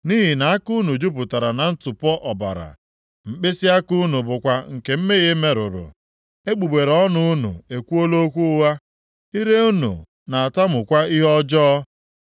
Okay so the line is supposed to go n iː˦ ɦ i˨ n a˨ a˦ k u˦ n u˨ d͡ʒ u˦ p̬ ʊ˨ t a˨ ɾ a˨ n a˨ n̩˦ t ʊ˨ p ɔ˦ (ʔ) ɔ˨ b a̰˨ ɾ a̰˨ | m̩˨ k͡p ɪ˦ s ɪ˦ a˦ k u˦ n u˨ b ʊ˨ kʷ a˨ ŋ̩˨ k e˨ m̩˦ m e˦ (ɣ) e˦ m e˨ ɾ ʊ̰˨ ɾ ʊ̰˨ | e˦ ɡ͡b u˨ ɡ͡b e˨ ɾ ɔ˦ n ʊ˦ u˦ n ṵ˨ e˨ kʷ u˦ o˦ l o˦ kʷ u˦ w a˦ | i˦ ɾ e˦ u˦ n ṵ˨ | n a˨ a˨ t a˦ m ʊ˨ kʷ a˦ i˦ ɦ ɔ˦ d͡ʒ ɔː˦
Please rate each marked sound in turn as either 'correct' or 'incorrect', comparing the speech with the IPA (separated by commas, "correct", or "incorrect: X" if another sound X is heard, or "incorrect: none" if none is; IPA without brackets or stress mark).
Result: correct, correct